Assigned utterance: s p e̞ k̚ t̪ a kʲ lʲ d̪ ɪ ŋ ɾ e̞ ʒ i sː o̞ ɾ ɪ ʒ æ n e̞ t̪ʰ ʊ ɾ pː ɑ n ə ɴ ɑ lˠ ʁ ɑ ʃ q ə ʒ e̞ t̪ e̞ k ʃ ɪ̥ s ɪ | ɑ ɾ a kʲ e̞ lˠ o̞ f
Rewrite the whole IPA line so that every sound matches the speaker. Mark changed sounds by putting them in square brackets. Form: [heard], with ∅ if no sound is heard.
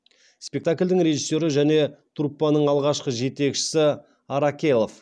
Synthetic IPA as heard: s p e̞ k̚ t̪ a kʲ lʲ d̪ ɪ ŋ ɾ e̞ ʒ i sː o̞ ɾ ɪ ʒ æ n e̞ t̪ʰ [u] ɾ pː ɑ n ə ɴ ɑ lˠ ʁ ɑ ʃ q ə ʒ e̞ t̪ e̞ k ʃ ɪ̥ s ɪ | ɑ ɾ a kʲ e̞ lˠ o̞ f